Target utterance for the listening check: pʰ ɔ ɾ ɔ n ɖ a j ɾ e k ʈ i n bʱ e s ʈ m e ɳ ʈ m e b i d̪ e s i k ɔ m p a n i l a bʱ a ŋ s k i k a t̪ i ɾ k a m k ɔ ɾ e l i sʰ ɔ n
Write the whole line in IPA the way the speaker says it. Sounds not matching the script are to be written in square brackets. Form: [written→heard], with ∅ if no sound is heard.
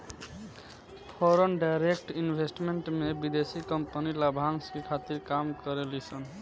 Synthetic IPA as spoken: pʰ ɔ ɾ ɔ n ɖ a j ɾ e k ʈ i n bʱ e s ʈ m e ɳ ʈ m e b i d̪ e s i k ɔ m p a n i l a bʱ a ŋ s k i [k→kʰ] a t̪ i ɾ k a m k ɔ ɾ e l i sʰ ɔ n